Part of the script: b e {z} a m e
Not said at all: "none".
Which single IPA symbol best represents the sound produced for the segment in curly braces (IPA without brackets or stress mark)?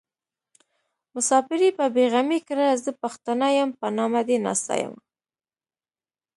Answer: ɣ